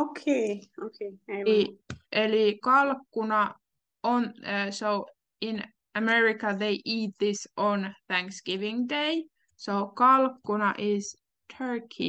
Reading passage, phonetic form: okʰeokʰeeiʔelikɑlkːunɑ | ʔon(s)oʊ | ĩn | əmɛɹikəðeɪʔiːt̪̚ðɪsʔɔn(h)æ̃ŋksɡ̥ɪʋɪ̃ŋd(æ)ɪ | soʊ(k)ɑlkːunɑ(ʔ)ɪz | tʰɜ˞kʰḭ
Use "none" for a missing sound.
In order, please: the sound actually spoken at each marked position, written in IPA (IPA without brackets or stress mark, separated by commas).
s, θ, e, k, ʔ